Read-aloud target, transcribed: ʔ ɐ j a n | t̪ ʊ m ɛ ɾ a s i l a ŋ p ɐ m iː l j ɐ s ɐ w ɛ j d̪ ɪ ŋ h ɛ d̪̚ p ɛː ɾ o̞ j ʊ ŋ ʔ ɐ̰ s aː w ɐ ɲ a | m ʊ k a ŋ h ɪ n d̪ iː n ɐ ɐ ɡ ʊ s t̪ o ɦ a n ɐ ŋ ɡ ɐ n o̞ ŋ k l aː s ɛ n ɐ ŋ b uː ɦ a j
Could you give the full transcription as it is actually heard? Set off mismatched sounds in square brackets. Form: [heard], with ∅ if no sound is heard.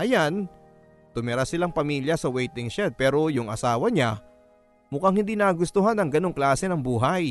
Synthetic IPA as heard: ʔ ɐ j a n | t̪ ʊ m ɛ ɾ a s [ɪ] l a ŋ p ɐ m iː l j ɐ s ɐ w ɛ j [t̪] ɪ ŋ [ʃ] ɛ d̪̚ p ɛː ɾ o̞ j ʊ ŋ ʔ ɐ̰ s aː w ɐ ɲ a | m ʊ k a ŋ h ɪ n d̪ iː n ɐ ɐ ɡ ʊ s t̪ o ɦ a n ɐ ŋ ɡ ɐ n o̞ ŋ k l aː s ɛ n ɐ ŋ b uː ɦ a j